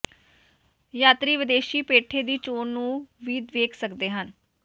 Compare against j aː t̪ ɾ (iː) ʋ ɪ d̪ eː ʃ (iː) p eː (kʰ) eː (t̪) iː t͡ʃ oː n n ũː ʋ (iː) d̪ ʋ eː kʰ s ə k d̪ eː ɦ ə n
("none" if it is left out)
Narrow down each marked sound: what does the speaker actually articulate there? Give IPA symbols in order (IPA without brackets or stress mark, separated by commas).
iː, iː, ʈʰ, d̪, iː